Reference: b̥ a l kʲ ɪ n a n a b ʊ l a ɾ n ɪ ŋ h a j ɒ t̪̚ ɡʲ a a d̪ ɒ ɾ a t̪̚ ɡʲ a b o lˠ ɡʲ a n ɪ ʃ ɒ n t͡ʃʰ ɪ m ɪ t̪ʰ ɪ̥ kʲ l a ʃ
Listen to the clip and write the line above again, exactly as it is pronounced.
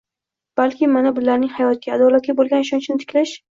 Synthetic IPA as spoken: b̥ a l kʲ ɪ m a n a b ʊ l a ɾ n ɪ ŋ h a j ɒ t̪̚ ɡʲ a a d̪ ɒ l a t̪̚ ɡʲ a b o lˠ ɡʲ a n ɪ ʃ ɒ n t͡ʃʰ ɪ n ɪ t̪ʰ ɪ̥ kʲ l a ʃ